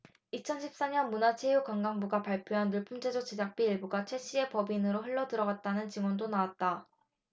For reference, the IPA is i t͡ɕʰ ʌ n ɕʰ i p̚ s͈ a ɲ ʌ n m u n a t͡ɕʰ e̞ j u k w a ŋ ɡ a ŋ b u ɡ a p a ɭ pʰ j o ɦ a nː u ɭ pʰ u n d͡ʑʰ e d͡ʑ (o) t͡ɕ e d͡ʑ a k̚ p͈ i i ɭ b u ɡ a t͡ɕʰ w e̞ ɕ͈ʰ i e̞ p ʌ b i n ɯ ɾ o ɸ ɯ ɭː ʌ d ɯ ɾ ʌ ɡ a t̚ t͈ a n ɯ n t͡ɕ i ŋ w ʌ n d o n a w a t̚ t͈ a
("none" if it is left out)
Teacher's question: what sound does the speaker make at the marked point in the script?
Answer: o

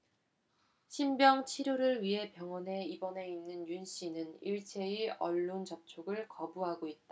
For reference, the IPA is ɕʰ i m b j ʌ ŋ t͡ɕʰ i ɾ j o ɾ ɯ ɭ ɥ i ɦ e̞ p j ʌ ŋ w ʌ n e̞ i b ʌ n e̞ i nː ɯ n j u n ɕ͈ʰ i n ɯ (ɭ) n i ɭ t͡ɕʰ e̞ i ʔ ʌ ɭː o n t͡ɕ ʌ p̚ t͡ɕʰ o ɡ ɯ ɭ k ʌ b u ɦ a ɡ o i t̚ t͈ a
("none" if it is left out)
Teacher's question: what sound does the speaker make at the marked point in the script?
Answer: none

